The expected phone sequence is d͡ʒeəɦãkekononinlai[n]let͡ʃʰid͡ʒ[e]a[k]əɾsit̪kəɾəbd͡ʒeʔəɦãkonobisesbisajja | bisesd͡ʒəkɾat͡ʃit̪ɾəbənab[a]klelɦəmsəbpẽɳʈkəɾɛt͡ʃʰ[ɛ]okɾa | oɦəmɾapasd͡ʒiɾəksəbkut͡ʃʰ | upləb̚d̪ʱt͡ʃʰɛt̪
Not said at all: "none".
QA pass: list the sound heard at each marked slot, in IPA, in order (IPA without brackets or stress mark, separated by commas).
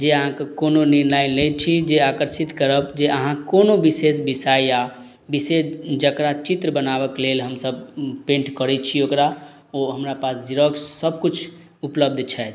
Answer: n, e, k, ə, i